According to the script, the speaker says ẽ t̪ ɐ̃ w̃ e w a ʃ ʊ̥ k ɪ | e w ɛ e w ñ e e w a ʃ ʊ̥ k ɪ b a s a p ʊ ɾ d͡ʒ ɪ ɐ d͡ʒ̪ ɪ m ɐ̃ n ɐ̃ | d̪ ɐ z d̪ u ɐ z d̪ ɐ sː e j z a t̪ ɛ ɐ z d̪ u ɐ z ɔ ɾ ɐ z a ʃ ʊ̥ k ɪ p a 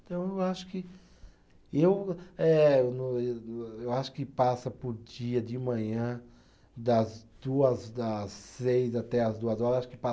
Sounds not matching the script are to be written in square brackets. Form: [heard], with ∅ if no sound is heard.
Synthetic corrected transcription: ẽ t̪ ɐ̃ w̃ e w a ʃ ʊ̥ k ɪ | e w ɛ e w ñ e e w a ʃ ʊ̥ k ɪ [p] a s [ɐ] p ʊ ɾ d͡ʒ [i] ɐ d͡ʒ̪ ɪ m ɐ̃ [ɲ] ɐ̃ | d̪ ɐ z d̪ u ɐ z d̪ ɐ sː e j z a t̪ ɛ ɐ z d̪ u ɐ z ɔ ɾ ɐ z a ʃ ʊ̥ k ɪ p a